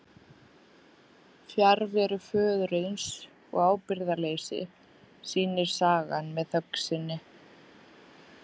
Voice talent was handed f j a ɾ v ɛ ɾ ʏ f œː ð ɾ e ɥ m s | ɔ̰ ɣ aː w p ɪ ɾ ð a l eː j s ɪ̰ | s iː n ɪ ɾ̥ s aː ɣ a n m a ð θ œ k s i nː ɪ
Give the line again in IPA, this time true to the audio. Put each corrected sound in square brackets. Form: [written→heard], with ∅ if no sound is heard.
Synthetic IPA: f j a ɾ v ɛ ɾ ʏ f œː ð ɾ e ɥ [m→n] s | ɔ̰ ɣ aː w p ɪ ɾ ð a l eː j s ɪ̰ | s iː n ɪ ɾ̥ s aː ɣ a n m [a→ɛ] ð θ œ k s [i→ɪ] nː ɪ